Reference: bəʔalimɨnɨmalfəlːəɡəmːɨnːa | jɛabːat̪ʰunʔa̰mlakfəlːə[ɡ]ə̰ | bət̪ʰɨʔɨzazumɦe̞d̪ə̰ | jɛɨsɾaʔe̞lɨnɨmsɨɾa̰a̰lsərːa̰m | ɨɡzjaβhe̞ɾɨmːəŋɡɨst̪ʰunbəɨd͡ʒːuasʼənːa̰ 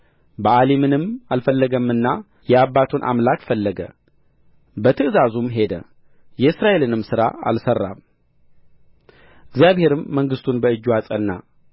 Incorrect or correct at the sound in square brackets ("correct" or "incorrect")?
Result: correct